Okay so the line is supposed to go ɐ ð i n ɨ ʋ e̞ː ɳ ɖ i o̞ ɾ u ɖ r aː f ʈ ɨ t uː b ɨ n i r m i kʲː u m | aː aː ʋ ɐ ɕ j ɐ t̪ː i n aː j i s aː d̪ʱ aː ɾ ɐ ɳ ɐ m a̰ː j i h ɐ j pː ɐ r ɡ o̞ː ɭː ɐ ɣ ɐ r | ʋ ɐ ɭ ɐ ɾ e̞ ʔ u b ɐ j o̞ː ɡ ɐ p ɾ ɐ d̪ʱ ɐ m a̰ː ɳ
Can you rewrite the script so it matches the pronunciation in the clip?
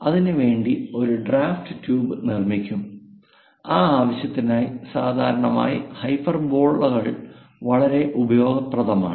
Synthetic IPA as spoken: ɐ ð i n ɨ ʋ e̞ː ɳ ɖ i o̞ ɾ u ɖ r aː f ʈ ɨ t uː b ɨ n i r m i kʲː u m | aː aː ʋ ɐ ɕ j ɐ t̪ː i n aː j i s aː d̪ʱ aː ɾ ɐ ɳ ɐ m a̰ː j i h ɐ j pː ɐ r b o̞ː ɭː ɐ ɣ ɐ ɭ | ʋ ɐ ɭ ɐ ɾ e̞ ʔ u b ɐ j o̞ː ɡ ɐ p r ɐ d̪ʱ ɐ m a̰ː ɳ